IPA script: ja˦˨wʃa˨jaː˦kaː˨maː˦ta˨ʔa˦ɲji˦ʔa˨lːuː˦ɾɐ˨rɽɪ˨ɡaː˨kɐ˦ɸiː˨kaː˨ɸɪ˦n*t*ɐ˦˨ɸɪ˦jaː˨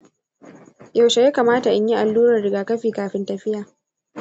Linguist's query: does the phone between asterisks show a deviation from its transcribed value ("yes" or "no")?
no